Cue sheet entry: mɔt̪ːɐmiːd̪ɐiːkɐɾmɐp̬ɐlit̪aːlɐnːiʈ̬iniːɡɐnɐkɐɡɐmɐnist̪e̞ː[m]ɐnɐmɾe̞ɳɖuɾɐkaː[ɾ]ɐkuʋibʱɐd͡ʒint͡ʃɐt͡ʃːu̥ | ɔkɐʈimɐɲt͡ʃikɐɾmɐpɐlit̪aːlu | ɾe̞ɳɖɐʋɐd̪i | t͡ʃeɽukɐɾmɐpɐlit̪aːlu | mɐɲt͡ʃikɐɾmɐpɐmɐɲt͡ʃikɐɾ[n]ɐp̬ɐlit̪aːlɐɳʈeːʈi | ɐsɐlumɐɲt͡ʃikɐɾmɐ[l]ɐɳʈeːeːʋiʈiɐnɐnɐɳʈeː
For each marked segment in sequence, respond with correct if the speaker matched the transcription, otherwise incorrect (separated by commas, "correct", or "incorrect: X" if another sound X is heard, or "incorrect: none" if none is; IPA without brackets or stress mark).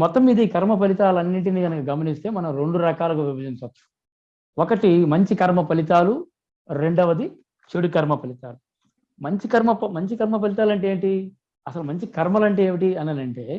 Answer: correct, incorrect: l, incorrect: m, correct